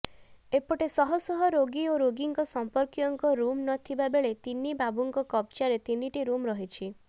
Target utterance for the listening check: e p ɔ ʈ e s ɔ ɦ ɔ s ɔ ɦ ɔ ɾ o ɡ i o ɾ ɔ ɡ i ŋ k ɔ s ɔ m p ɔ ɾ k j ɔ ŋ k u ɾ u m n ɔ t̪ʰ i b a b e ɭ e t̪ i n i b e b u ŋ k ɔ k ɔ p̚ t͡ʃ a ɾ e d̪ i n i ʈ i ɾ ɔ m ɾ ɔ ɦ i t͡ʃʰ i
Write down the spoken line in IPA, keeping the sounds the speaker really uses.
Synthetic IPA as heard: e p ɔ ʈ e s ɔ ɦ ɔ s ɔ ɦ ɔ ɾ o ɡ i o ɾ o ɡ i ŋ k ɔ s ɔ m p ɔ ɾ k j ɔ ŋ k ɔ ɾ u m n ɔ t̪ʰ i b a b e ɭ e t̪ i n i b a b u ŋ k ɔ k ɔ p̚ t͡ʃ a ɾ e t̪ i n i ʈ i ɾ u m ɾ ɔ ɦ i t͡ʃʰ i